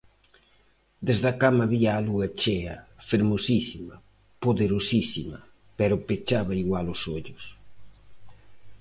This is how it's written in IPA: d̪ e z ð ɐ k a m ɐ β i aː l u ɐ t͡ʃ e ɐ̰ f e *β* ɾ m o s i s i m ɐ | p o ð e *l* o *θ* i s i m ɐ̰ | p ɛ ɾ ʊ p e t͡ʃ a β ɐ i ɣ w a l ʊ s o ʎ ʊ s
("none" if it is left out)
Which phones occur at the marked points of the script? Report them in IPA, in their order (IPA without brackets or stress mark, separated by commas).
none, ɾ, s